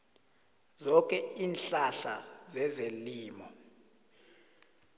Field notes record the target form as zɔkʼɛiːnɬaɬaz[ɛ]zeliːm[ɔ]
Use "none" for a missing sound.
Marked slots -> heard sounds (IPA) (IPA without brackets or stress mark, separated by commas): ɛ, ɔ